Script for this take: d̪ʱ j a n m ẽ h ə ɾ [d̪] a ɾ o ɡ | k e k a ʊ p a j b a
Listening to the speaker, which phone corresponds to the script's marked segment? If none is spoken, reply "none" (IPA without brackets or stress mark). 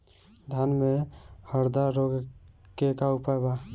d̪